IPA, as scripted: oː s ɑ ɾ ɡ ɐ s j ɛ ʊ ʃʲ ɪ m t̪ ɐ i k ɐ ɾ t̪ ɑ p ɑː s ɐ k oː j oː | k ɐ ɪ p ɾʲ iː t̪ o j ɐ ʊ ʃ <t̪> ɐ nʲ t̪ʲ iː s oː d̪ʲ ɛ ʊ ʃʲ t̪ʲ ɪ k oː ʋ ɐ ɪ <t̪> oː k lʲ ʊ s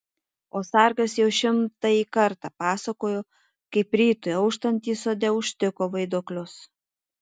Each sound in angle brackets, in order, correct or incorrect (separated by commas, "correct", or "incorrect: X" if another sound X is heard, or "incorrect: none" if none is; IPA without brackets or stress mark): correct, incorrect: d̪